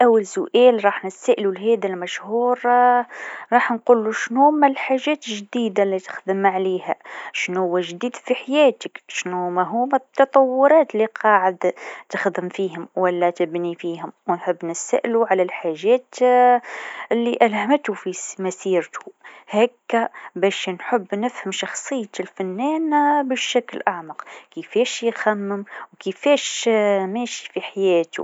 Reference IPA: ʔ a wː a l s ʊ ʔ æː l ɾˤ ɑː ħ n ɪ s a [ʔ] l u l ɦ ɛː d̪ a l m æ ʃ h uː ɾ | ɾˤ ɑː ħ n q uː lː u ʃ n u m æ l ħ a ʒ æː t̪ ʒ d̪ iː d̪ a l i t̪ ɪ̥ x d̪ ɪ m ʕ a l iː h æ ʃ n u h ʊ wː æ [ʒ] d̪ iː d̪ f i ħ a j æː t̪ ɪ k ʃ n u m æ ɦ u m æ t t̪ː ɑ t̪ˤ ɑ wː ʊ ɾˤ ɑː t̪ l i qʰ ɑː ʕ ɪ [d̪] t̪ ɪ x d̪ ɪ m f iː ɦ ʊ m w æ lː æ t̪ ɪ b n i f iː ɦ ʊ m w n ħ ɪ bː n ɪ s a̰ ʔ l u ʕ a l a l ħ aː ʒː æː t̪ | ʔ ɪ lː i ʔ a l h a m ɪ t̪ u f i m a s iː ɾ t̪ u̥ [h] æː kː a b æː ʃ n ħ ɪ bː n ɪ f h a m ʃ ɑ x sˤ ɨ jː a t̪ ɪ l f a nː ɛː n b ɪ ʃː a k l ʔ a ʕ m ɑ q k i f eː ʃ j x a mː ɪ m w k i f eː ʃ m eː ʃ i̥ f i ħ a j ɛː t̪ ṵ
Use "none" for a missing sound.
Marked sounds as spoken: ʔ, ʒ, d̪, h

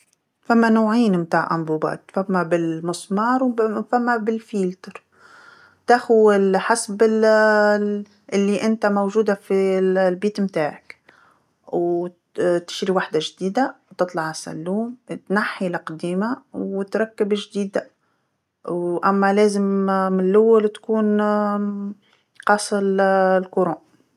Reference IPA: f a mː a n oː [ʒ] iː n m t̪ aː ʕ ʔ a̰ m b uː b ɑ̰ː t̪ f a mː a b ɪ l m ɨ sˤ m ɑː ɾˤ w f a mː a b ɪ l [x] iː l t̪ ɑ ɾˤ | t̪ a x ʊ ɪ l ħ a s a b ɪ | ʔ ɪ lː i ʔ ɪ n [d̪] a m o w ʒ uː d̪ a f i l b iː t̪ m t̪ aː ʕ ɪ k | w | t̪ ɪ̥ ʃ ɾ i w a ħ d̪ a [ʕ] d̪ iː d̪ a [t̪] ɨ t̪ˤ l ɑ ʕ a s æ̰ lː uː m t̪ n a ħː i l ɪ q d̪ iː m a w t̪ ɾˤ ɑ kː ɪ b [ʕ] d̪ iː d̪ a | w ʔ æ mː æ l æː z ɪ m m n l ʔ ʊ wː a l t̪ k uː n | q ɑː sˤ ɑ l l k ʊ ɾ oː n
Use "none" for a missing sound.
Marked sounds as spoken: ʕ, f, t̪, ʒ, t̪, ʒ

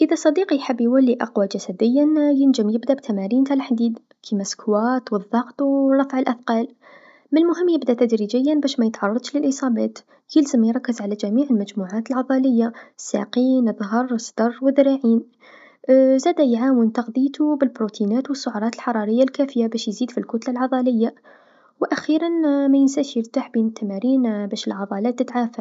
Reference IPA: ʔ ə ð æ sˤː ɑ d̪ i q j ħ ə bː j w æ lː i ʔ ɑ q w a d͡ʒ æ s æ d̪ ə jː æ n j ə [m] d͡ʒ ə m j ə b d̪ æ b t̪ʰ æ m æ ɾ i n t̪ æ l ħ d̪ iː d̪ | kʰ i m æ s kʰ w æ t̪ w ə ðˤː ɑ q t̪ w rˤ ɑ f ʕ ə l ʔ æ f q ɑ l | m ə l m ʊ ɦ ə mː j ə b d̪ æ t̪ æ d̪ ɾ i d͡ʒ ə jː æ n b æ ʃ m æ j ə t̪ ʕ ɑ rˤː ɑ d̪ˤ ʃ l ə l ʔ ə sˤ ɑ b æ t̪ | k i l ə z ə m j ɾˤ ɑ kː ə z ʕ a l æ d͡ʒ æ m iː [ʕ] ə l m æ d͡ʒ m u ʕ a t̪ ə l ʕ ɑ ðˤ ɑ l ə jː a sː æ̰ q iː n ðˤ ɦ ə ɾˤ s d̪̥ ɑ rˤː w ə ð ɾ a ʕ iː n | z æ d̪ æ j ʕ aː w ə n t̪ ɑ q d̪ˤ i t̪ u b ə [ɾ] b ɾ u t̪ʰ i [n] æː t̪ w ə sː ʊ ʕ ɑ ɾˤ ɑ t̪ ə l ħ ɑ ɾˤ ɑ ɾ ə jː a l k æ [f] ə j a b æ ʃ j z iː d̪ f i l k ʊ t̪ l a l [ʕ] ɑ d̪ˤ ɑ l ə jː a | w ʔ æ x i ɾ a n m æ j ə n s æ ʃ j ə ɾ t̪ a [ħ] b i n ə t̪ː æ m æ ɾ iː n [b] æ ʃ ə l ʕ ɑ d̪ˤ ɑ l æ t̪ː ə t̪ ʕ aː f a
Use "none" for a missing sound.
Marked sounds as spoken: n, ʕ, l, n, f, ʕ, ħ, b

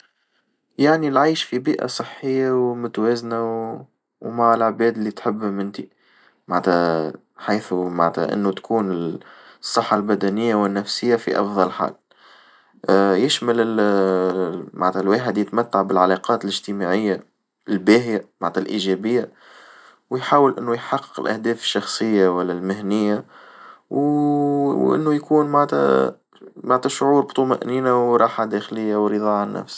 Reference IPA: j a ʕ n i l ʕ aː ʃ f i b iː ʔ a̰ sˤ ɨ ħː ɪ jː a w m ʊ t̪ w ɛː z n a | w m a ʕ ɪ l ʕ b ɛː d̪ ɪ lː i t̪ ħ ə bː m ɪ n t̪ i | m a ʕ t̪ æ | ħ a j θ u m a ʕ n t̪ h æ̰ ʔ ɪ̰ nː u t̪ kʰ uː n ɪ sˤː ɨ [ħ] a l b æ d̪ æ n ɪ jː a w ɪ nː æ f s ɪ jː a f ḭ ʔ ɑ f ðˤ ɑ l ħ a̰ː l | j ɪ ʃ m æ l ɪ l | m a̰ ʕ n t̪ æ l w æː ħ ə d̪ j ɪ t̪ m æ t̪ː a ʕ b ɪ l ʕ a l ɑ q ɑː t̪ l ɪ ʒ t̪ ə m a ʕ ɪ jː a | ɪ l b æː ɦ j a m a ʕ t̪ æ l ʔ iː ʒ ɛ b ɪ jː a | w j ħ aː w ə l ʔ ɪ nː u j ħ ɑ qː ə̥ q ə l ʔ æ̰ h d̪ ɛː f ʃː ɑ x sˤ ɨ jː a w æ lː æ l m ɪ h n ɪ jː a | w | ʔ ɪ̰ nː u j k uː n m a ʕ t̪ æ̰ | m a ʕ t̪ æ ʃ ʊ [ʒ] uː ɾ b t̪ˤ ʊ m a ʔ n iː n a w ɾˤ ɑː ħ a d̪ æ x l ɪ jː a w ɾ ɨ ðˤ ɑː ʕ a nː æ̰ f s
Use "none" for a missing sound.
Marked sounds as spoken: ħː, ʕ

